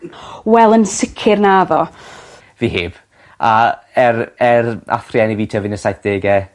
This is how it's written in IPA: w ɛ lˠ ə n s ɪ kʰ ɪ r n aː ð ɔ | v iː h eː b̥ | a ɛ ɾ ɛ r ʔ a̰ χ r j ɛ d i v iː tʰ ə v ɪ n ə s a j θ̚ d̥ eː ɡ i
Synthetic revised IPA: w ɛ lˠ ə n s ɪ kʰ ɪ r n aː ð ɔ | v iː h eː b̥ | a ɛ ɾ ɛ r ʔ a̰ θ r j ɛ n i v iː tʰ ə v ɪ n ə s a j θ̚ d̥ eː ɡ ɛ